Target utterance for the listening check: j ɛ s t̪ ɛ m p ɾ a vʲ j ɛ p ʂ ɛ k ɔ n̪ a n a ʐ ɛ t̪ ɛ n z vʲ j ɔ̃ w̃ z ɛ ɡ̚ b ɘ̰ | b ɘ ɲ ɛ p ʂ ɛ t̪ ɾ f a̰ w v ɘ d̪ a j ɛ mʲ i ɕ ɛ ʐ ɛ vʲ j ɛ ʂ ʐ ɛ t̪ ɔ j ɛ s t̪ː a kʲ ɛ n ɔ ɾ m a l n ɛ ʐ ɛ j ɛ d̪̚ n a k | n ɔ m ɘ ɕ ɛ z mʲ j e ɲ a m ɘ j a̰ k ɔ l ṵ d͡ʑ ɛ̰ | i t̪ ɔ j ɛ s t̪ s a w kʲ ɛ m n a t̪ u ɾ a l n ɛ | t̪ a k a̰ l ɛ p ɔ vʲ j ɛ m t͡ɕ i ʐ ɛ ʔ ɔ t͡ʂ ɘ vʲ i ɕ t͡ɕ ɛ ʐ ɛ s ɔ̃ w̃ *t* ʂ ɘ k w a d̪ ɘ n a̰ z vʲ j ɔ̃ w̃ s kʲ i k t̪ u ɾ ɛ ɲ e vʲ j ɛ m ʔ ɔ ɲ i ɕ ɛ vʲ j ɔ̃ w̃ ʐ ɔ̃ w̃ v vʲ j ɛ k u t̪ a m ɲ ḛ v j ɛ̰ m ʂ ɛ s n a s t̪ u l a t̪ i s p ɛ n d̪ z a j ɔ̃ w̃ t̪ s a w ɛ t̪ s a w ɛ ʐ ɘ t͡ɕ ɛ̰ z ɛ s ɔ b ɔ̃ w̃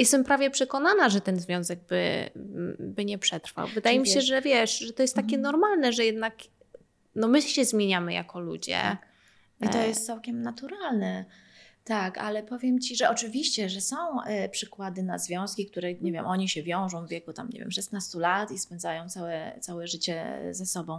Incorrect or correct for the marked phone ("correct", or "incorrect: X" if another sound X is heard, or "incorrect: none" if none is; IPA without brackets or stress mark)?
incorrect: p